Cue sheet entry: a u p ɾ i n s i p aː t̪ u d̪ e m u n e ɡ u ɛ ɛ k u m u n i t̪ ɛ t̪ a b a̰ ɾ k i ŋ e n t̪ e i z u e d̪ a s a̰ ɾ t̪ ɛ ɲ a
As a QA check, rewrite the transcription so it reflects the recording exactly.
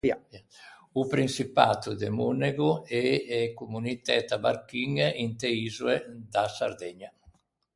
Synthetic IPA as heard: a u p ɾ i n s i p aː t̪ u d̪ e m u n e ɡ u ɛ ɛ k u m u n i t̪ ɛ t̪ a b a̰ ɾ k i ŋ i n t̪ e i z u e d̪ a s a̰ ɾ d̪ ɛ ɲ a